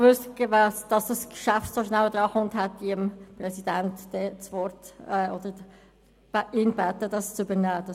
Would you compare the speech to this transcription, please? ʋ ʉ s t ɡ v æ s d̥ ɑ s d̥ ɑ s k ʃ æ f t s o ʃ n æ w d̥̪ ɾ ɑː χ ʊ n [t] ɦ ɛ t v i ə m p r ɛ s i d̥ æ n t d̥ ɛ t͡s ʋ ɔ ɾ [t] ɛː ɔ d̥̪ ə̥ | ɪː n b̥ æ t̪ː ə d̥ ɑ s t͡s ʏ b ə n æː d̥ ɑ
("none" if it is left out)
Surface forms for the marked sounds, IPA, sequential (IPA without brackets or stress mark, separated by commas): t, t